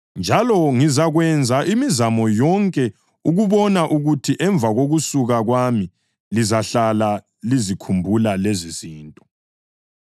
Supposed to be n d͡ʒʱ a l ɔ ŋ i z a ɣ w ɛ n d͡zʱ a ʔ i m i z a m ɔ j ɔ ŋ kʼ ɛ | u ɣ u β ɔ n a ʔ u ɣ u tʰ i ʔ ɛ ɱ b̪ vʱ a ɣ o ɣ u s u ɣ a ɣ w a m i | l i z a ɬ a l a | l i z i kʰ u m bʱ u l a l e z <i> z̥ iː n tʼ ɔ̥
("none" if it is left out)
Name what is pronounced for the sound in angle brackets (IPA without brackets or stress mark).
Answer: i